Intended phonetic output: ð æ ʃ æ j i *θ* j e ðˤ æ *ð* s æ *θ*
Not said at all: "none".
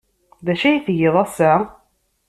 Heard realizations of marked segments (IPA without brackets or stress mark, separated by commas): θ, none, none